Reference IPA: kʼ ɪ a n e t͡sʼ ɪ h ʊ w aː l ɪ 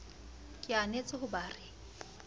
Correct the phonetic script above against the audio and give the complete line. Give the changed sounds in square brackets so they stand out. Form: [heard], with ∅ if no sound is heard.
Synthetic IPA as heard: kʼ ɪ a n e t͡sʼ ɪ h ʊ [b] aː [r] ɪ